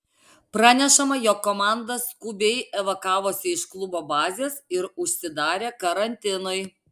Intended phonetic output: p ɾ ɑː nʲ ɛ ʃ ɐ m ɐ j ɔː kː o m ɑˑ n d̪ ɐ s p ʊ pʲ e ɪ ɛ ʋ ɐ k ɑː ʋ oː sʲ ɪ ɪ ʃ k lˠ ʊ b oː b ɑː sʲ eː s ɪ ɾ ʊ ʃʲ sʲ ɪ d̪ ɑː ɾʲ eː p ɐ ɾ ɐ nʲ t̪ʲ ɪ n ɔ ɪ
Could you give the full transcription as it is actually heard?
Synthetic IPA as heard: p ɾ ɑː nʲ ɛ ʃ ɐ m ɐ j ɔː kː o m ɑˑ n d̪ ɐ s k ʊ bʲ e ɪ ɛ ʋ ɐ k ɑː ʋ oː sʲ ɪ ɪ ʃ k lˠ ʊ b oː b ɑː zʲ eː s ɪ ɾ ʊ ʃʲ sʲ ɪ d̪ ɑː ɾʲ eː k ɐ ɾ ɐ nʲ t̪ʲ ɪ n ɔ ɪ